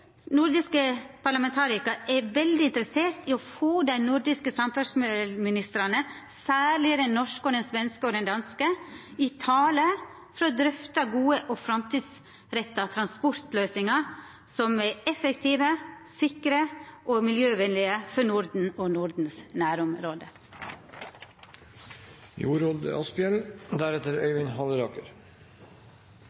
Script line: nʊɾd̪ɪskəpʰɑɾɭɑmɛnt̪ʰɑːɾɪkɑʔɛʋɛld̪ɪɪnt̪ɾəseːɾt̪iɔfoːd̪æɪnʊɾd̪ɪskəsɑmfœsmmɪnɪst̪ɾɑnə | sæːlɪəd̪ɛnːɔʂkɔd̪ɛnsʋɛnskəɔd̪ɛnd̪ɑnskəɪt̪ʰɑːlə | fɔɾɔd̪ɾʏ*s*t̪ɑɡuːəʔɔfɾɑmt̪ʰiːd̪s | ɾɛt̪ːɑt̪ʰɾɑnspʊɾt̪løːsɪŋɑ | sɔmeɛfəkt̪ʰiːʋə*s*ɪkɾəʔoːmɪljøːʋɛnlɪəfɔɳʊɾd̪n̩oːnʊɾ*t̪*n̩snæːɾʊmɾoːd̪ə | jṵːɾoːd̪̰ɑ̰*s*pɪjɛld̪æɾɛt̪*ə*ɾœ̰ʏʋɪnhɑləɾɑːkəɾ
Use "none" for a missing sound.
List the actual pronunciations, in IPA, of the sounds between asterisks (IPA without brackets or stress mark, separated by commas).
f, s, d̪, s, ə